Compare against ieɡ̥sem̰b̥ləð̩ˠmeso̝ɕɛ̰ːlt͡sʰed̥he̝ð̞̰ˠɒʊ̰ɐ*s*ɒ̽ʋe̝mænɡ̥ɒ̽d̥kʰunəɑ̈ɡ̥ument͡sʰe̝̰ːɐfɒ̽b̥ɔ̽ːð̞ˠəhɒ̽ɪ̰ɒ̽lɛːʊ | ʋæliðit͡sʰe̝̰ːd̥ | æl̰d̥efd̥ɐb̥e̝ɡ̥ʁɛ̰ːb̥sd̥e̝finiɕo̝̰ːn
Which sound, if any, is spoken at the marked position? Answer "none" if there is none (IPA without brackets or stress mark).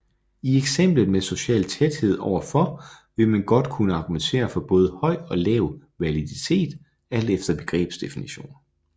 f